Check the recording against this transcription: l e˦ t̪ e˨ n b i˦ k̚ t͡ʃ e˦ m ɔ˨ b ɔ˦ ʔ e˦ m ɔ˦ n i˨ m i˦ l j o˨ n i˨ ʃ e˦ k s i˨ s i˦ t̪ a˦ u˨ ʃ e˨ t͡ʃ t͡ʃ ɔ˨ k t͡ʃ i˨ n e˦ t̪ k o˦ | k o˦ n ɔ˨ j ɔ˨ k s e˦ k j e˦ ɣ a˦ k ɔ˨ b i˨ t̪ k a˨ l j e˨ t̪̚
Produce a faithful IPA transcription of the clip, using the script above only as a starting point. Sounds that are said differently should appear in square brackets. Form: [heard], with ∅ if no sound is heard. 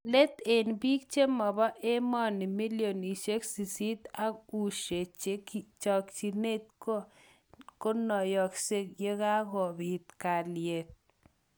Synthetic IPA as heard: l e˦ t̪ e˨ n b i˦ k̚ t͡ʃ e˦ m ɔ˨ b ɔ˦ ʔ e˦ m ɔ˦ n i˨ m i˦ l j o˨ n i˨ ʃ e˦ k s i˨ s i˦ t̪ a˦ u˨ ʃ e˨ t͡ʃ t͡ʃ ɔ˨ k t͡ʃ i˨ n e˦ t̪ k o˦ | k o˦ n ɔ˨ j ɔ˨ k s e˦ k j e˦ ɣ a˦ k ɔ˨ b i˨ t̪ k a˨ l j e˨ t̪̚